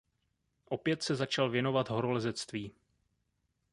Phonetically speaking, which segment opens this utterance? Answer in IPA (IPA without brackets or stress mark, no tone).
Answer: ʔ